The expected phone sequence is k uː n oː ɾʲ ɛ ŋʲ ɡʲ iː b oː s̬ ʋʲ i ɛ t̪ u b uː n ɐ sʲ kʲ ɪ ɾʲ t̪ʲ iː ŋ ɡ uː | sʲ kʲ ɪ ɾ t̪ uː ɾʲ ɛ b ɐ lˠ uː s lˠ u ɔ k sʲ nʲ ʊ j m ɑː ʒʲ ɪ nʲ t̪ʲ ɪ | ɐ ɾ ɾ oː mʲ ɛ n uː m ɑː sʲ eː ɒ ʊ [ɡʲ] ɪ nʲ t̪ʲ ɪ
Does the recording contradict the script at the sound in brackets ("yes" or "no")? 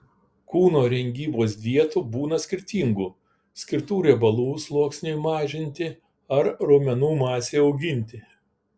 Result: no